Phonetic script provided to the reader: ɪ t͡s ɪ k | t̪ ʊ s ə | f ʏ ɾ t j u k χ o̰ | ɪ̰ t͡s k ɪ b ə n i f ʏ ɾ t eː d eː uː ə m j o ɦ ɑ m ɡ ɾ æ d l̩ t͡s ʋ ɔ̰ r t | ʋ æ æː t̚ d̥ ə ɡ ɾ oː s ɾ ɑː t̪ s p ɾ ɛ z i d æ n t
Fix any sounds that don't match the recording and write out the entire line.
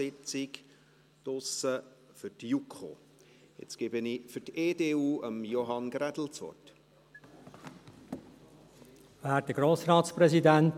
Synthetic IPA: ɪ t͡s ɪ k | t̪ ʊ s ə | f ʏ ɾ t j u k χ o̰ | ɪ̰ t͡s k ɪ b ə n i f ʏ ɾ t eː d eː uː ə m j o ɦ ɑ n ɡ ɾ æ d l̩ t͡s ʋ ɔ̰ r t | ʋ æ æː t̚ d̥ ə ɡ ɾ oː s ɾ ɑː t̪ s p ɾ ɛ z i d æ n t